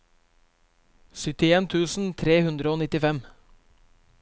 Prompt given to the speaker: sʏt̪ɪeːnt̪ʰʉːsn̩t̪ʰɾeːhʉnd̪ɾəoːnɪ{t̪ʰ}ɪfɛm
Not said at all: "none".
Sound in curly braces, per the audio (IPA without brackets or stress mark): t̪